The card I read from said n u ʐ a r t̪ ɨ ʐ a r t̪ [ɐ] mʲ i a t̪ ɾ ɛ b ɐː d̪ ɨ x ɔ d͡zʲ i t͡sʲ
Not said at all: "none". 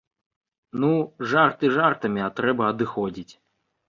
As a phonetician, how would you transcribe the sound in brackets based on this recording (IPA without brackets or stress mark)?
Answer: ɐ